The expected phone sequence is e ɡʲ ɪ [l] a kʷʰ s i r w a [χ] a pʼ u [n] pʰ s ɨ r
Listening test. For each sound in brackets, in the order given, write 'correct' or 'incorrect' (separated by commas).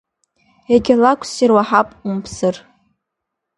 correct, incorrect, incorrect